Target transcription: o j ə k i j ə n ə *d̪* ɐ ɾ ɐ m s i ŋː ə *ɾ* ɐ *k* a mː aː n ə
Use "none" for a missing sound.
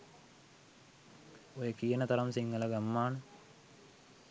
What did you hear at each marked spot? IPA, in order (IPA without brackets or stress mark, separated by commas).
t̪, l, ɡ